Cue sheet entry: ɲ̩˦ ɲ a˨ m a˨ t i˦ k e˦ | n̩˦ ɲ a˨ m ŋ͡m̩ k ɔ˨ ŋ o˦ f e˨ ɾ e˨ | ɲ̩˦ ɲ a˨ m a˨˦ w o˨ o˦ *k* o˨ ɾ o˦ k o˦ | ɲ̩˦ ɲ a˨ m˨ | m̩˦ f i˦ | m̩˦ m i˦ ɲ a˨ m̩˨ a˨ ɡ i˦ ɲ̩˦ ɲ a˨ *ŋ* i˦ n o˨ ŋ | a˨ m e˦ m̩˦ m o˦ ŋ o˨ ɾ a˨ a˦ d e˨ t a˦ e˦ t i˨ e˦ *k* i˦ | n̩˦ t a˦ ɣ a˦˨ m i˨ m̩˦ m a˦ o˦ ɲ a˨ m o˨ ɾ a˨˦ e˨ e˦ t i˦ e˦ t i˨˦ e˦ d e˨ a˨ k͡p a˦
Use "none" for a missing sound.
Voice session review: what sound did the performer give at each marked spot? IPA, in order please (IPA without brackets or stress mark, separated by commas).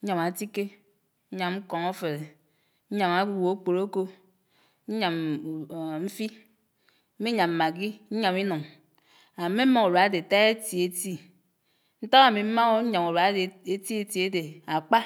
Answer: k͡p, m, t